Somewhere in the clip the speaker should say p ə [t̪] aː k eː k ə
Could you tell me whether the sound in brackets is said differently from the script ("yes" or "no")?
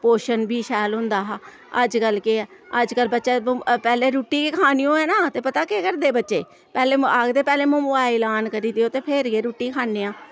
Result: no